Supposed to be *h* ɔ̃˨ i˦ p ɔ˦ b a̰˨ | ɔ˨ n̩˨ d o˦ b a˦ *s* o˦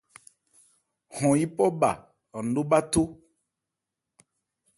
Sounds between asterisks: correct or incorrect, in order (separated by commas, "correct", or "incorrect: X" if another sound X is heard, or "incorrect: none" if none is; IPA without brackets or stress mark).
correct, incorrect: t